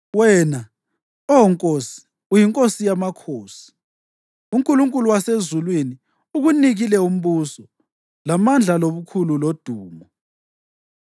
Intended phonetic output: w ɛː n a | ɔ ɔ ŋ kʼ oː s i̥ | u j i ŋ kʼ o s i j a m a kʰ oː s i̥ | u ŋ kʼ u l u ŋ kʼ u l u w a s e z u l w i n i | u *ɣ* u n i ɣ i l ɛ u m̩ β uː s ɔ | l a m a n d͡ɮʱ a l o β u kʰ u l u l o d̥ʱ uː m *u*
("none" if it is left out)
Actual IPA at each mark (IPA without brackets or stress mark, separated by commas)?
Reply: ɣ, ɔ